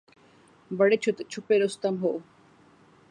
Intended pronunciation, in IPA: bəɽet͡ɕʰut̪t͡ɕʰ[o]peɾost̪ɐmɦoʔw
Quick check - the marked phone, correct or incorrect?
incorrect: u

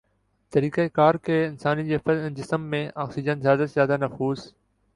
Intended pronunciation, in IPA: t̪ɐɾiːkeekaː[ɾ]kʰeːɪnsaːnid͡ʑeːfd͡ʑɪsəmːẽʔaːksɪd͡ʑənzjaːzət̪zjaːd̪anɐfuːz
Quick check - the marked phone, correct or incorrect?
correct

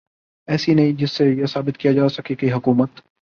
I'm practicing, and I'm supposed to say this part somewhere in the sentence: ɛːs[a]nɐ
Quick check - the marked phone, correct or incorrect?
incorrect: i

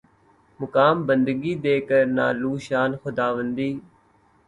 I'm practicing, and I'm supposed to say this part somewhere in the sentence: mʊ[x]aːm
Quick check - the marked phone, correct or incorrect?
incorrect: k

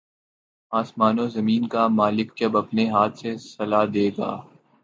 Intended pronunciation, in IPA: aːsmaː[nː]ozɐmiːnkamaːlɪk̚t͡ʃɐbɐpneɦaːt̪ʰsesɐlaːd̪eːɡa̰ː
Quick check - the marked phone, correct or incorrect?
incorrect: n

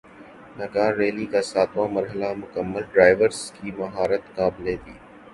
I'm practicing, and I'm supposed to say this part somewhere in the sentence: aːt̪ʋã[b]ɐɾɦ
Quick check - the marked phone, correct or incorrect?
incorrect: m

